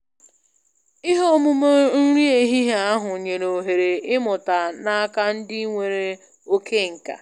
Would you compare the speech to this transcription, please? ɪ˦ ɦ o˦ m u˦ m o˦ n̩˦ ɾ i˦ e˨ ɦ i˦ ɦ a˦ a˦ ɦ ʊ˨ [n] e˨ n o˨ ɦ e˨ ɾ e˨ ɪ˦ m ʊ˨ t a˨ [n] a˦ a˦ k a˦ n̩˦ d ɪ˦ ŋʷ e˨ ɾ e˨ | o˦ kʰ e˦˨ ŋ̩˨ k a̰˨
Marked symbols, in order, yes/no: no, yes

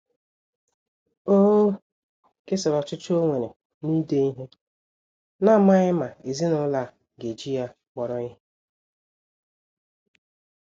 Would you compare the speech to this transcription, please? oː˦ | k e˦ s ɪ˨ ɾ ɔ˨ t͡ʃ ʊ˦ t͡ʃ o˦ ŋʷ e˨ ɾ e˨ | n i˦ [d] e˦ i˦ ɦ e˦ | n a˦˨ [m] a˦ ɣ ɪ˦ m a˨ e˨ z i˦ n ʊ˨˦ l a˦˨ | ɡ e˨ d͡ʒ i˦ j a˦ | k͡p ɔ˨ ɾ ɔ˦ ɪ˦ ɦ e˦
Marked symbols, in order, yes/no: yes, yes

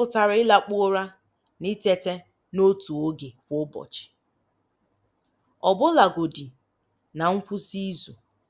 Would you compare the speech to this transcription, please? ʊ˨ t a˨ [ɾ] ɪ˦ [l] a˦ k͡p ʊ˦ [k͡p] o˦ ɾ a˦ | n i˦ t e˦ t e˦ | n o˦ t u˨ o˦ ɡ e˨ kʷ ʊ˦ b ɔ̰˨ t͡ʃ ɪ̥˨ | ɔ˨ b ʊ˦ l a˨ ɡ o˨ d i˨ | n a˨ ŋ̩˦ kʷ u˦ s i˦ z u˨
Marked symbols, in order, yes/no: yes, yes, no

